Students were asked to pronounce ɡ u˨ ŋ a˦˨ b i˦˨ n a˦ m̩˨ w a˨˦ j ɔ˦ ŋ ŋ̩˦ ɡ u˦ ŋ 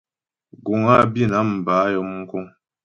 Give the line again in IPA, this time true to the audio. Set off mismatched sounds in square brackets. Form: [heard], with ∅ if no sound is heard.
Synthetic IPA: ɡ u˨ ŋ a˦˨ b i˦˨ n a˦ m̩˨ [b] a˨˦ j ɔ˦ [m] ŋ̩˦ [k] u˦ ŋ